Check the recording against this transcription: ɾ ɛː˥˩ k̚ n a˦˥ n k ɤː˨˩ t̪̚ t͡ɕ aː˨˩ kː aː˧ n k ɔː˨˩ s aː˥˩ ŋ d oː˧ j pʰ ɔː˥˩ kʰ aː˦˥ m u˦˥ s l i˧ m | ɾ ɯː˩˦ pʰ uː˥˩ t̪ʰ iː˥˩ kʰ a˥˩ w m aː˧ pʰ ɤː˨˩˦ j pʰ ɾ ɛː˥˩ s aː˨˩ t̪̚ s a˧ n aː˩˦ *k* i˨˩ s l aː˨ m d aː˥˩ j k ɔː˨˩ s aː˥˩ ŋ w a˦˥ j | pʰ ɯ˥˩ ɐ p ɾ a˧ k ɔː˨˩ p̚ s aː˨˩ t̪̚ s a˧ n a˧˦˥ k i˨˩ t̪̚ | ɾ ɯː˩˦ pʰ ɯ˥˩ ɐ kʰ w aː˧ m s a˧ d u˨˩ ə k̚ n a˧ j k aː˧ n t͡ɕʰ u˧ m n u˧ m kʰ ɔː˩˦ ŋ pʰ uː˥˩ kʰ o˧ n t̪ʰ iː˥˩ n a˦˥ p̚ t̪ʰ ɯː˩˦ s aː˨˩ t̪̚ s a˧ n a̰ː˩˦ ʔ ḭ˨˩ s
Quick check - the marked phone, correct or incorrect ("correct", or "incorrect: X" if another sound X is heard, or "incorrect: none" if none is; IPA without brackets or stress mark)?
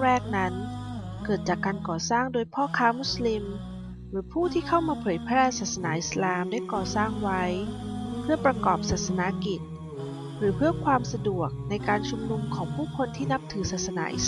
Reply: incorrect: ʔ